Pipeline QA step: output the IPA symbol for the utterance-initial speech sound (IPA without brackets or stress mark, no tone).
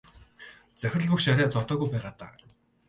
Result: t͡s